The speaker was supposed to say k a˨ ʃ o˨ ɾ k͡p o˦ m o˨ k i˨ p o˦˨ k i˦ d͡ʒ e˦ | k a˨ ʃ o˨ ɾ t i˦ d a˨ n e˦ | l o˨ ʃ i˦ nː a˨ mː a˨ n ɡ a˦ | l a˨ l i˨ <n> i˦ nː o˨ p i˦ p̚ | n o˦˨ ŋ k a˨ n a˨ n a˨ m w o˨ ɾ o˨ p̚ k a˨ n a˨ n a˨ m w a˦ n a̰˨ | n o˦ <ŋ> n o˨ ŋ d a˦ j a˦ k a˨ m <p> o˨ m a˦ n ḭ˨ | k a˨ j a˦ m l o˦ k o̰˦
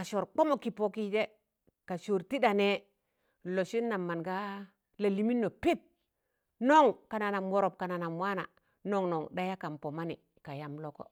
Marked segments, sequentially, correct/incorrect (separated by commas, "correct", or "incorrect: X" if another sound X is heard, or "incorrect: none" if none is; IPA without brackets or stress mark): incorrect: m, correct, correct